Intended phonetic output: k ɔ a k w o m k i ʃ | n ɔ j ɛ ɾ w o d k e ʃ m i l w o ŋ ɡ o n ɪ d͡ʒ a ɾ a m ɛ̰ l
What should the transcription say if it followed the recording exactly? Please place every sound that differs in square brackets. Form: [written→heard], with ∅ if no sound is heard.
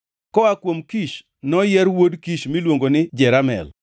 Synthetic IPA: k ɔ a k w o m k i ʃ | n ɔ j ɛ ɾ w o d k [e→i] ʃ m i l w o ŋ ɡ o n ɪ d͡ʒ [a→ɛ] ɾ a m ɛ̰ l